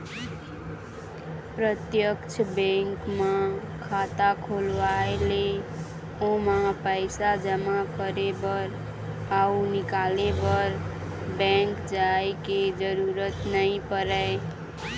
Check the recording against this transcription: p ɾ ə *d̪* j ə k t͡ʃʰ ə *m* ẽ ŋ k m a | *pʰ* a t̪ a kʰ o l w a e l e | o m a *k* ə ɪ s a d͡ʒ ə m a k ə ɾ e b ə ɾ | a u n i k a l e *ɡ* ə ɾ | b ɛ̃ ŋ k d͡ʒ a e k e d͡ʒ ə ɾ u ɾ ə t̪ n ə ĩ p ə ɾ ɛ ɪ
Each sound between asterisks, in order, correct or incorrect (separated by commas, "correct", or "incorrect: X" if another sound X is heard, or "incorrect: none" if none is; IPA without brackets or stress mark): incorrect: t̪, incorrect: b, incorrect: kʰ, incorrect: p, incorrect: b